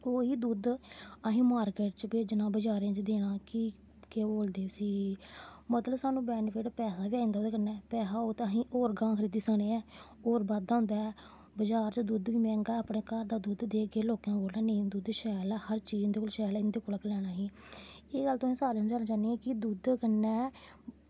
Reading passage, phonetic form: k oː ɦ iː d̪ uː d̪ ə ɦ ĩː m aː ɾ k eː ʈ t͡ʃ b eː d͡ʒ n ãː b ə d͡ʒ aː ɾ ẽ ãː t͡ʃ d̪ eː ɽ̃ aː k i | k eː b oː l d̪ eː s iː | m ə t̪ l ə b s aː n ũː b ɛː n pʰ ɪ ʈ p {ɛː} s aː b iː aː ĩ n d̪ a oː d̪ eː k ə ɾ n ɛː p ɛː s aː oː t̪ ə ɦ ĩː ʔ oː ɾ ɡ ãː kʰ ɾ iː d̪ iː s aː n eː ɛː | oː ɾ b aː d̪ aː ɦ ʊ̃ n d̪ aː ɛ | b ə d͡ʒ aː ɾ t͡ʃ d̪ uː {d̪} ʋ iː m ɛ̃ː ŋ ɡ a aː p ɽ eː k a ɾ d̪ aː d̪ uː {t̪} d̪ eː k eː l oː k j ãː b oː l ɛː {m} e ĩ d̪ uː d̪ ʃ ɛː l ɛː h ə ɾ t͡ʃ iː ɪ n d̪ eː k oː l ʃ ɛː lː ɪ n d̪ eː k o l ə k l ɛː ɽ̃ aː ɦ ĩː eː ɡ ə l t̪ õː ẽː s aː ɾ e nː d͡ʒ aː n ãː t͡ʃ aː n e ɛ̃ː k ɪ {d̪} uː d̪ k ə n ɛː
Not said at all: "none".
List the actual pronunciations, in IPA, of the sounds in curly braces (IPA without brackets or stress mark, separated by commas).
ɛː, d̪, d̪, n, d̪